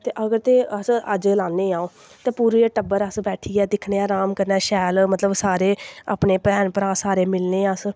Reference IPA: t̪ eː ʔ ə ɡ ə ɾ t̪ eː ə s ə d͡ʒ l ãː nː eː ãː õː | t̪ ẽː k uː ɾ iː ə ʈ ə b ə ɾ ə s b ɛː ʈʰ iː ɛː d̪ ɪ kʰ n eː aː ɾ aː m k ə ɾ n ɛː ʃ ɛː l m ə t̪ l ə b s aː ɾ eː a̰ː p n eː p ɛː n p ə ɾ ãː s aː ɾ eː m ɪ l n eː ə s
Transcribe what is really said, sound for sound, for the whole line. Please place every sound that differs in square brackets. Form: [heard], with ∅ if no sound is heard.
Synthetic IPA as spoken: t̪ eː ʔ ə ɡ ə ɾ t̪ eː ə s ə d͡ʒ l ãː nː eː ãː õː | t̪ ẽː [p] uː ɾ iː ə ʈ ə b ə ɾ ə s b ɛː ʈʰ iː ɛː d̪ ɪ kʰ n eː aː ɾ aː m k ə ɾ n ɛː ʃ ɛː l m ə t̪ l ə b s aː ɾ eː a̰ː p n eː p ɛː n p ə ɾ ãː s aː ɾ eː m ɪ l n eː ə s